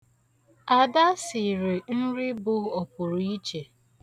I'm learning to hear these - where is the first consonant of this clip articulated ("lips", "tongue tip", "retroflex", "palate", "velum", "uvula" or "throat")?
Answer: tongue tip